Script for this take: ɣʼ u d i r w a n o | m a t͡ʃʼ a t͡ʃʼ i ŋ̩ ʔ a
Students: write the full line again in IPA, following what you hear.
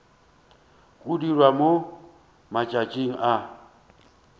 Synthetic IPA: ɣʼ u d i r w a m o | m a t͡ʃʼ a t͡ʃʼ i ŋ̩ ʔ a